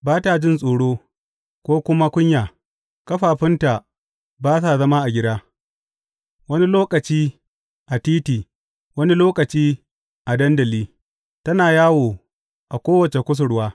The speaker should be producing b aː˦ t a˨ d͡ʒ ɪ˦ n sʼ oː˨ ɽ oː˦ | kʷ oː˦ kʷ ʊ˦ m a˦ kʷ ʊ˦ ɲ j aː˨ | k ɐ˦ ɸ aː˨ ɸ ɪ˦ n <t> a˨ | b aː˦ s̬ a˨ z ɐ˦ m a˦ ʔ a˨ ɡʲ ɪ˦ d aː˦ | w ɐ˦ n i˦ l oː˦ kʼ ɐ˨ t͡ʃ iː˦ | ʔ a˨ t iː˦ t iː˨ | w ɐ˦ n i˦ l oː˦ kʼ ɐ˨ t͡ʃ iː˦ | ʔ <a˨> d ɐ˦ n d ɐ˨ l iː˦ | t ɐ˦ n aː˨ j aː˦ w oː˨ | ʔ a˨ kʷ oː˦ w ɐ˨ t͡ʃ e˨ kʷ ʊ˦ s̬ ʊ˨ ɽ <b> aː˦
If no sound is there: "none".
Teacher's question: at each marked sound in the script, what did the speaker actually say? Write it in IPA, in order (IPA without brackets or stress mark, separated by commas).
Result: t, a˨, w